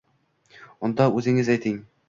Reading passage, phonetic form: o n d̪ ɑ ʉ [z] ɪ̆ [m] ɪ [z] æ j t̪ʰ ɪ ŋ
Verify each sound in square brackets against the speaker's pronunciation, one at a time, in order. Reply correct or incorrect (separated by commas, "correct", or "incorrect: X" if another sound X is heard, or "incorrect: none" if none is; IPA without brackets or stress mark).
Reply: correct, incorrect: ŋ, correct